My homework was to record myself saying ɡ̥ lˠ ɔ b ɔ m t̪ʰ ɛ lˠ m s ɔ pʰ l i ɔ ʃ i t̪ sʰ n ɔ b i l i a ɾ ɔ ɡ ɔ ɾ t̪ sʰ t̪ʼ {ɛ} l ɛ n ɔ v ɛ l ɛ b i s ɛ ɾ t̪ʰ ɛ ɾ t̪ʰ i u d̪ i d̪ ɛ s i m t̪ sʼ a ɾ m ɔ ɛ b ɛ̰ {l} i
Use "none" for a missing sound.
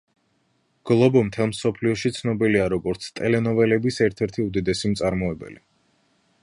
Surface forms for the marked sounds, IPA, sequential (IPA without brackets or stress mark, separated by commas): ɛ, l